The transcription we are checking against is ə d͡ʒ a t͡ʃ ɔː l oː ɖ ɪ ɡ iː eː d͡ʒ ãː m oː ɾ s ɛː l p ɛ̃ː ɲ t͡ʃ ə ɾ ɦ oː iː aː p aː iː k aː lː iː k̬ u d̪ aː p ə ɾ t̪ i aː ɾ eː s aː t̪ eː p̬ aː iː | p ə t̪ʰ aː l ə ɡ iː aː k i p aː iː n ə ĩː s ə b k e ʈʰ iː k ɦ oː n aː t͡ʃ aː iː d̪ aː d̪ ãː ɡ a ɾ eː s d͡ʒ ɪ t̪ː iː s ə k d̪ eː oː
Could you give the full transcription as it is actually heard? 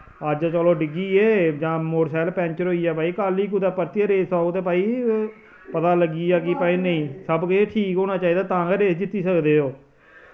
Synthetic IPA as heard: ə d͡ʒ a t͡ʃ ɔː l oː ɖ ɪ ɡ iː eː d͡ʒ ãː m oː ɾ s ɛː l p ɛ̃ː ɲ t͡ʃ ə ɾ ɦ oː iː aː p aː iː k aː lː iː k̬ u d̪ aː p ə ɾ t̪ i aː ɾ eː s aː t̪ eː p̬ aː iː | p ə t̪ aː l ə ɡ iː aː k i p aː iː n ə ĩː s ə b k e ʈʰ iː k ɦ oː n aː t͡ʃ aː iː d̪ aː t̪ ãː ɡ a ɾ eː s d͡ʒ ɪ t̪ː iː s ə k d̪ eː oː